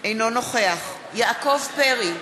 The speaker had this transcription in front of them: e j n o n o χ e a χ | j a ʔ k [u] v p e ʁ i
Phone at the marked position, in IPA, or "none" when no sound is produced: o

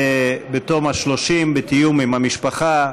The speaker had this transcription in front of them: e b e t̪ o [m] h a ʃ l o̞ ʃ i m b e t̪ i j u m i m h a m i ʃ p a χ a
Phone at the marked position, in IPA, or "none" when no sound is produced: m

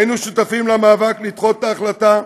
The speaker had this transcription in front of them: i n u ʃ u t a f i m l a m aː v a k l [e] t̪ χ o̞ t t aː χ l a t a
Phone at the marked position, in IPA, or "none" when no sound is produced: i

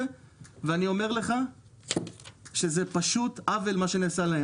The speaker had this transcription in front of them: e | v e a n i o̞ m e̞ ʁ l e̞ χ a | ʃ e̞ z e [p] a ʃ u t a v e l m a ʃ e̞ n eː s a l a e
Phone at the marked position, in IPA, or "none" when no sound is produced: p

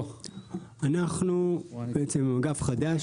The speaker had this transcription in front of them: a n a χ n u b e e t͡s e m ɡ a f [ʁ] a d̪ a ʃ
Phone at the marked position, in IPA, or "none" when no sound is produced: χ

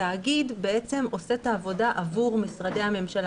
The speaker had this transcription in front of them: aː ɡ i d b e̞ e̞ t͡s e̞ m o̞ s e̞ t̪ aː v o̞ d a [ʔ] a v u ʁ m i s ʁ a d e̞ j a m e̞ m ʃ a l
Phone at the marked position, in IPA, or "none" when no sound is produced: ʔ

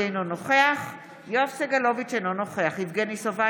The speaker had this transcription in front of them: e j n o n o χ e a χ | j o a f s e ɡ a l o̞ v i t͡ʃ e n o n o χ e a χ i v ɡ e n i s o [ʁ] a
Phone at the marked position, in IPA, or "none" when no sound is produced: v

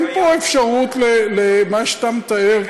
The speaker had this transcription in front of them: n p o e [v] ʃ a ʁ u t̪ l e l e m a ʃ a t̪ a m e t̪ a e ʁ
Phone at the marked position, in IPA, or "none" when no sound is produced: f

